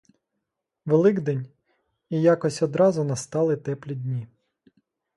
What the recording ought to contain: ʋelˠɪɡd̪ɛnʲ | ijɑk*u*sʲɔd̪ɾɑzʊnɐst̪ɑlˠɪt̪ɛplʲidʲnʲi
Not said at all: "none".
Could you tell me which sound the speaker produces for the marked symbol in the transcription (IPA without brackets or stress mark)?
ɔ